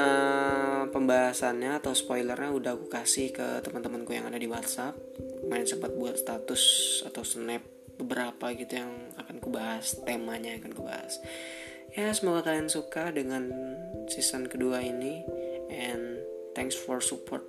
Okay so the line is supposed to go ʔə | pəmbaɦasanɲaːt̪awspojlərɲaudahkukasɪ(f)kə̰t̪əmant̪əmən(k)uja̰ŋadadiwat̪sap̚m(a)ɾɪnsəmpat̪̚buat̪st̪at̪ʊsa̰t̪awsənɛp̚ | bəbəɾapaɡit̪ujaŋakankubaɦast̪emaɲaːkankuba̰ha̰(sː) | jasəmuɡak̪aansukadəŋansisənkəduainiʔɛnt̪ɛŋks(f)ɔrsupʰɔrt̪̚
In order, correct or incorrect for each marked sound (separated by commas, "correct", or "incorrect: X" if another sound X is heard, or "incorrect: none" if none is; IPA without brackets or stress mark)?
incorrect: h, correct, correct, incorrect: s, correct